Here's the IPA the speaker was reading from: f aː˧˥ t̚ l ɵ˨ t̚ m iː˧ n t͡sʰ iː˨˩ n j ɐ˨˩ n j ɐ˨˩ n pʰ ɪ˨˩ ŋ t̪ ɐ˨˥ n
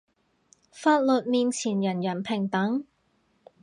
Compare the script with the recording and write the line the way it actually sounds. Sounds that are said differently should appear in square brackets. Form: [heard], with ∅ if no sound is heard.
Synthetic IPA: f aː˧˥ t̚ l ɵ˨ t̚ m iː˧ n t͡sʰ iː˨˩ n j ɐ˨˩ n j ɐ˨˩ n pʰ ɪ˨˩ ŋ t̪ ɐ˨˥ [ŋ]